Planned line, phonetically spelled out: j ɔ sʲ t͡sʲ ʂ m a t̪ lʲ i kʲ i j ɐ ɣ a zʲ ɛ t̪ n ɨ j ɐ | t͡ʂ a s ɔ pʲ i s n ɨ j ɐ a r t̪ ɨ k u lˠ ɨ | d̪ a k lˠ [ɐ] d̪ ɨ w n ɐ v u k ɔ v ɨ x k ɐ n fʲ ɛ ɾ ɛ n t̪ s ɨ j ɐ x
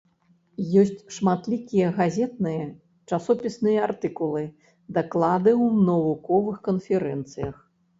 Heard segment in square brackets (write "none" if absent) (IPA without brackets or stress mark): a